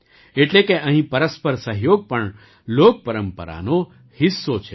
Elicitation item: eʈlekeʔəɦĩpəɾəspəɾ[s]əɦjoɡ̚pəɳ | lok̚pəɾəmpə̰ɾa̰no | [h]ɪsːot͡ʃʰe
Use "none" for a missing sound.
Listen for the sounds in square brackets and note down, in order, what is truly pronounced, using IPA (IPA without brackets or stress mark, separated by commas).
s, h